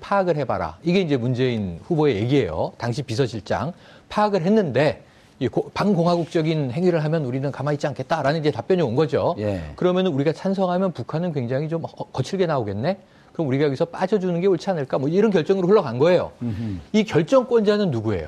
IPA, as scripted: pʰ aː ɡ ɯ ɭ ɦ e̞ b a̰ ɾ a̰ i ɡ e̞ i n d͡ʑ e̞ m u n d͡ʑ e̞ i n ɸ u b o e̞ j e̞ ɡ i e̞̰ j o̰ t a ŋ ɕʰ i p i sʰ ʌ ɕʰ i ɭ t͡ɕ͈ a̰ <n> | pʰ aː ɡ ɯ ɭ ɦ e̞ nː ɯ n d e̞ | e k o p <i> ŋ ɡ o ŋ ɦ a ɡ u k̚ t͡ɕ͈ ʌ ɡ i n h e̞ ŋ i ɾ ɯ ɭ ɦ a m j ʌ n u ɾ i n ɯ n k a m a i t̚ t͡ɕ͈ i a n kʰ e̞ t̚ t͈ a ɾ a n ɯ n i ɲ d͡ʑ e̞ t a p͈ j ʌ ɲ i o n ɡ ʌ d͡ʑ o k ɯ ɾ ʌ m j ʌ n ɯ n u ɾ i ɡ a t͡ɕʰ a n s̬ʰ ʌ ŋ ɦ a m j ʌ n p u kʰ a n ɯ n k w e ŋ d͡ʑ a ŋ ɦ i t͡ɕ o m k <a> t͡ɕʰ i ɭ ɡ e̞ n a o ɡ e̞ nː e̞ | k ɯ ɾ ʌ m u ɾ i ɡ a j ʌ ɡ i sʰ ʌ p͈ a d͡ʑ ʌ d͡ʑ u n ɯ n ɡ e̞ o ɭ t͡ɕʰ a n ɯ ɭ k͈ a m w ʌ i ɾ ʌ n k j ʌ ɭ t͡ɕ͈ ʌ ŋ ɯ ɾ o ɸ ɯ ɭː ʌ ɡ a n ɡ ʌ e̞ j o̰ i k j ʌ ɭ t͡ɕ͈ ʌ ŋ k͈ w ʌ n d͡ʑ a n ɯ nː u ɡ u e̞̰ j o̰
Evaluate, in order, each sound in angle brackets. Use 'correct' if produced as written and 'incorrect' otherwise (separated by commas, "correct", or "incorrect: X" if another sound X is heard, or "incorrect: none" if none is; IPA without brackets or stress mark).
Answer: incorrect: ŋ, incorrect: a, incorrect: ʌ